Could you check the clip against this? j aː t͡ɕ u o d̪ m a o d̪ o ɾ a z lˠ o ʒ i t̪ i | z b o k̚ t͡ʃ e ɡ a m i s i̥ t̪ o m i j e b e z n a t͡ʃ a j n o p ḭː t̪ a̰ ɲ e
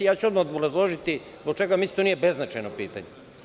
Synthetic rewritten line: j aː t͡ɕ u o d̪ m a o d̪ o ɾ a z lˠ o ʒ i t̪ i | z b o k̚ t͡ʃ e ɡ a m i s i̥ t̪ o n i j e b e z n a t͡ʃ a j n o p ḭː t̪ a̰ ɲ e